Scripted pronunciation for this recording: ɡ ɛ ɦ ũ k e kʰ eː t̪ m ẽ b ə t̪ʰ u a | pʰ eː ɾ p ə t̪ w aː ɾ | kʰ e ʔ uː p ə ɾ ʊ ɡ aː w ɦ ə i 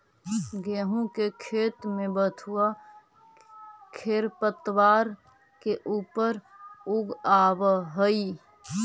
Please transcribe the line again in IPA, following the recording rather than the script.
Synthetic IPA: ɡ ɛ ɦ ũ k e kʰ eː t̪ m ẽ b ə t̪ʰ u a | kʰ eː ɾ p ə t̪ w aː ɾ | k e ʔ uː p ə ɾ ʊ ɡ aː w ɦ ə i